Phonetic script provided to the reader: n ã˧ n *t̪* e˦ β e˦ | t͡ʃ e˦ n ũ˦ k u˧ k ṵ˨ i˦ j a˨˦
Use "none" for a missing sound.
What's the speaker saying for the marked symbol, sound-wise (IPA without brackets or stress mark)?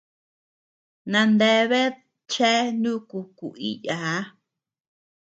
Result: d̪